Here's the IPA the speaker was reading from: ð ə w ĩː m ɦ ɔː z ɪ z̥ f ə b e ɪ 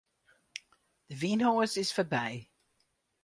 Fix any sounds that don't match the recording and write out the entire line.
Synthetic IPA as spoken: ð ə v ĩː n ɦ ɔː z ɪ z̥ f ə b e ɪ